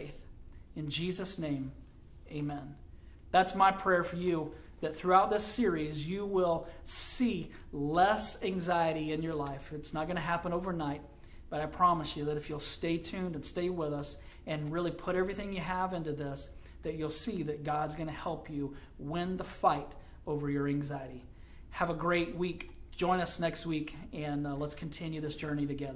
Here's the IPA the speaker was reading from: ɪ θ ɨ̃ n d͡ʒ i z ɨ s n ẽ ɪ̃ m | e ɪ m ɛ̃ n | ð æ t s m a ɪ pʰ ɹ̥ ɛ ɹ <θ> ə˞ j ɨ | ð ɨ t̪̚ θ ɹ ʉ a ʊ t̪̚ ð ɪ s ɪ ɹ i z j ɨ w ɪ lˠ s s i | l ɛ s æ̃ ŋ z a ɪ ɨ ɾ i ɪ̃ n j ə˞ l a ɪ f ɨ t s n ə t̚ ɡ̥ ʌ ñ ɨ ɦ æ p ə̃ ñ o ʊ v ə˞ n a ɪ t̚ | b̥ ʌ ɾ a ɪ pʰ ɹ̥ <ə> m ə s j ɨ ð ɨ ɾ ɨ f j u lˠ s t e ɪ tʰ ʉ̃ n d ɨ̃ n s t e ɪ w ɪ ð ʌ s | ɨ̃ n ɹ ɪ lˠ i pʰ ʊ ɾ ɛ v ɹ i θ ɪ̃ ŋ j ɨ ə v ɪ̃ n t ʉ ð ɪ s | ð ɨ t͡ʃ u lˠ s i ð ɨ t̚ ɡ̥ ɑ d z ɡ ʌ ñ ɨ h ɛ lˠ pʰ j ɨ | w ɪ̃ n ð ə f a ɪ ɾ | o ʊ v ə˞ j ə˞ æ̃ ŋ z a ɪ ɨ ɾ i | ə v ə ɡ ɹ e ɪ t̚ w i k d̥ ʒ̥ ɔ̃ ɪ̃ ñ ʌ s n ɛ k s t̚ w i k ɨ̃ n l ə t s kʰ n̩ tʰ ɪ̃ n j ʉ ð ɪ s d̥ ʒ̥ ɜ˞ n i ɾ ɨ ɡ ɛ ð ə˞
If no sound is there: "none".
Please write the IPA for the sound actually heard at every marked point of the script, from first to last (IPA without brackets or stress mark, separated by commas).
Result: f, ɑ